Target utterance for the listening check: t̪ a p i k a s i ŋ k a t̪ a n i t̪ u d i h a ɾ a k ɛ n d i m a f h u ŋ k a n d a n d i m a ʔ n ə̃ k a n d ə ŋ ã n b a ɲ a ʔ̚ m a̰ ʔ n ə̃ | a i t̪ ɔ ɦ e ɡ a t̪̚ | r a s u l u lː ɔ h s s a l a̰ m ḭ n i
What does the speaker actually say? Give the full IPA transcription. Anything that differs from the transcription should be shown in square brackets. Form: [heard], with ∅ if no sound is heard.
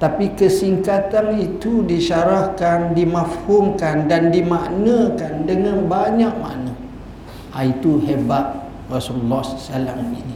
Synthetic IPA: t̪ a p i k [ə] s i ŋ k a t̪ a n i t̪ u d i [ʃ] a ɾ a k [a] n d i m a f h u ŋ k a n d a n d i m a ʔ n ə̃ k a n d ə ŋ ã n b a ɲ a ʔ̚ m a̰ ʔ n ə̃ | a i t̪ [u] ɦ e [b] a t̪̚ | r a s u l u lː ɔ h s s a l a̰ m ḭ n i